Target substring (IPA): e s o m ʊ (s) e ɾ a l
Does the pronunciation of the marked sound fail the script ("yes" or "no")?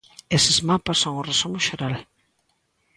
yes